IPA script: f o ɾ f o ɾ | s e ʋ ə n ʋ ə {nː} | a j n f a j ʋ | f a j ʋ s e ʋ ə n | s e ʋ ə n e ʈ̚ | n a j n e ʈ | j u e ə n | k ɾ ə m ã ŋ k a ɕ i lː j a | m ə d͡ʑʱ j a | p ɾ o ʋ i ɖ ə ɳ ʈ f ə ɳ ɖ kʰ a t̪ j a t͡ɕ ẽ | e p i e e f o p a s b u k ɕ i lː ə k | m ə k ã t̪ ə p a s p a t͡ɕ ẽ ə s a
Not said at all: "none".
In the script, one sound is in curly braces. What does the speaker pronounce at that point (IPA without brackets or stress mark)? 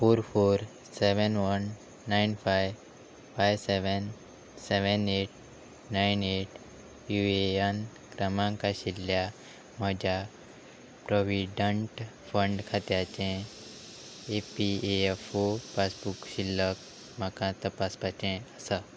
nː